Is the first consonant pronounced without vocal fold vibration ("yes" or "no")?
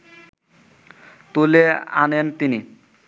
yes